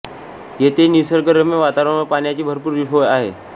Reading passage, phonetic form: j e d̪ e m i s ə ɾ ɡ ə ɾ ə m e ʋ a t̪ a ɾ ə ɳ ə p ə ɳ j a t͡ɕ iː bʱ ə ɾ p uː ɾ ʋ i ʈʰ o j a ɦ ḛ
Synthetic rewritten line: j e t̪ e n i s ə ɾ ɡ ə ɾ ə m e ʋ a t̪ a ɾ ə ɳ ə p a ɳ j a t͡ɕ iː bʱ ə ɾ p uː ɾ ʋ i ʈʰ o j a ɦ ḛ

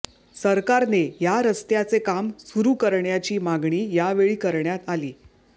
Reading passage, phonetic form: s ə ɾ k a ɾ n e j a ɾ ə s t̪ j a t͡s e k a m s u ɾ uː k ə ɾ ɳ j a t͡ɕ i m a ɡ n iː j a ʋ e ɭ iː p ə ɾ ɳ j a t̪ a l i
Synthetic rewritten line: s ə ɾ k a ɾ n e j a ɾ ə s t̪ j a t͡s e k a m s u ɾ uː k ə ɾ ɳ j a t͡ɕ iː m a ɡ ɳ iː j a ʋ e ɭ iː k ə ɾ ɳ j a t̪ a l iː

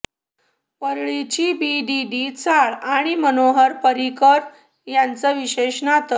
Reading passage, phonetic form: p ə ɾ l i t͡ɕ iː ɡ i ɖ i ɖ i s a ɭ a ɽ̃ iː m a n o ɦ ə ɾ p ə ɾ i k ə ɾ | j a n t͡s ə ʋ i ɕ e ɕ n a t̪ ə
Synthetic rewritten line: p ə ɾ ɭ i t͡ɕ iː b i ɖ i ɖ i t͡s a ɭ a ɽ̃ i m ə n o ɦ ə ɾ p ə ɾ i k ə ɾ | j a n t͡s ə ʋ i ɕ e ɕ n a t̪ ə

